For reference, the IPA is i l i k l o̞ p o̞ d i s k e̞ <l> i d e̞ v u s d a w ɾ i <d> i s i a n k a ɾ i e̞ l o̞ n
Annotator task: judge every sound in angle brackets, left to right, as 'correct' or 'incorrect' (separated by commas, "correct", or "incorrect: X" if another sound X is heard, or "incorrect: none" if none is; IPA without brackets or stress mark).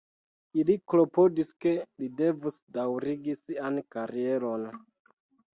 correct, incorrect: ɡ